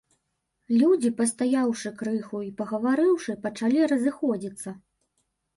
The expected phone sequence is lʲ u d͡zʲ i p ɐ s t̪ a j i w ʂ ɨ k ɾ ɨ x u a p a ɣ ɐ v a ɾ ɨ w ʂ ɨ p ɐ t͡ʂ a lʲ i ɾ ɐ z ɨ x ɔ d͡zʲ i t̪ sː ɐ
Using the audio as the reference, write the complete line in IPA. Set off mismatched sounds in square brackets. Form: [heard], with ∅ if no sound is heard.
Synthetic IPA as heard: lʲ u d͡zʲ i p ɐ s t̪ a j [a] w ʂ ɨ k ɾ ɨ x u [i] p [ɐ] ɣ ɐ v a ɾ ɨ w ʂ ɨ p ɐ t͡ʂ a lʲ i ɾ ɐ z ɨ x ɔ d͡zʲ i t̪ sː ɐ